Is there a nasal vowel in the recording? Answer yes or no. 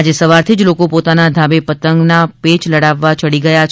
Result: no